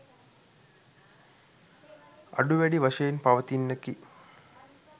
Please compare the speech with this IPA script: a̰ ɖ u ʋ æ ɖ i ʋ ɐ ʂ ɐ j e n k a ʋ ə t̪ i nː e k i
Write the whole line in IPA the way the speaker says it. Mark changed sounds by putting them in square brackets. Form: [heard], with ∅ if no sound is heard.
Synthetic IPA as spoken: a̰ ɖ u ʋ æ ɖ i ʋ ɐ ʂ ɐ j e n [p] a ʋ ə t̪ i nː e k i